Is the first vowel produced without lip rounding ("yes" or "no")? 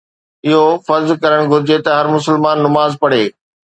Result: yes